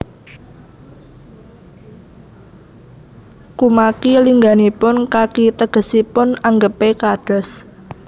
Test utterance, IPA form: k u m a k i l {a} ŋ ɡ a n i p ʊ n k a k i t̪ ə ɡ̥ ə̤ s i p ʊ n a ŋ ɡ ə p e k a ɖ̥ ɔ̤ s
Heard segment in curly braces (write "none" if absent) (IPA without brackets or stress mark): i